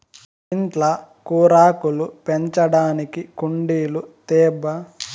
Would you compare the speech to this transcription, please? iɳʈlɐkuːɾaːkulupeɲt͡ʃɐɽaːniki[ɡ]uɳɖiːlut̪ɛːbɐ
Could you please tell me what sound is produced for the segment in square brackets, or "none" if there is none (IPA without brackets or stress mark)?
k